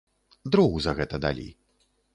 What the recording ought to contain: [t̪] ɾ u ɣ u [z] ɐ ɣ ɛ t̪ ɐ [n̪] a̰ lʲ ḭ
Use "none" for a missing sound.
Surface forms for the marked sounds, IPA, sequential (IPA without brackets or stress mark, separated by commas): d̪, z, d̪